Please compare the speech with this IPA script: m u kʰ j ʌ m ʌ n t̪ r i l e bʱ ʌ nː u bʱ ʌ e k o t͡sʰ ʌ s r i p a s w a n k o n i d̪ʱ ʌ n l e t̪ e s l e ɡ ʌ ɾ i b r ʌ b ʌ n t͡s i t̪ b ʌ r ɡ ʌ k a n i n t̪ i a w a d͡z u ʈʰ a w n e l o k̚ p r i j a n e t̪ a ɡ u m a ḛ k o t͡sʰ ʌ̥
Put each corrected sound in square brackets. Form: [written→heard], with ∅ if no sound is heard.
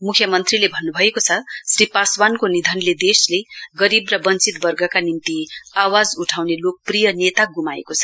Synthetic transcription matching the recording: m u kʰ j ʌ m ʌ n t̪ r i l e bʱ ʌ nː u bʱ ʌ e k o t͡sʰ ʌ s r i p a s w a n k o n i d̪ʱ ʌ n l e [t̪→d̪] e s l e ɡ ʌ ɾ i b r ʌ b ʌ n t͡s i t̪ b ʌ r ɡ ʌ k a n i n t̪ i a w a d͡z u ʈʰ a w n e l o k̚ p r i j [a→ʌ] n e t̪ a ɡ u m a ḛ k o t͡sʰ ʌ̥